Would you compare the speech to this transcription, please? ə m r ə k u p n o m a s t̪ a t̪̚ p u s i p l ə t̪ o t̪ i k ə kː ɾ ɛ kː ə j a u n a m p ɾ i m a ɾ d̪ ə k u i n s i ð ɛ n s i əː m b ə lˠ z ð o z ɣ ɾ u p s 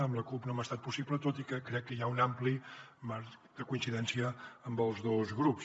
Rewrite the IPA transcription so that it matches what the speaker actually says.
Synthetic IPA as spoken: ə m l ə k u p n o m a s t̪ a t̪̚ p u s i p l ə t̪ o t̪ i k ə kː ɾ ɛ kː ə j a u n a m p l i m a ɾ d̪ ə k u i n s i ð ɛ n s i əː m b ə lˠ z ð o z ɣ ɾ u p s